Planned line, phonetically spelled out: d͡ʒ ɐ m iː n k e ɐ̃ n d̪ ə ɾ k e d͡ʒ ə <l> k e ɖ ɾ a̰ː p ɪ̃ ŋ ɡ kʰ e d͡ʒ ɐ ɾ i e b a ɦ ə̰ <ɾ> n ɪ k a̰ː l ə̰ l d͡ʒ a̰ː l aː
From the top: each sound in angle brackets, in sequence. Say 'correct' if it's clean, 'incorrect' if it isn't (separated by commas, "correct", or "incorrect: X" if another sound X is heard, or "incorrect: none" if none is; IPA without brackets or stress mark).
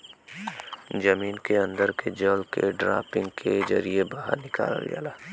correct, correct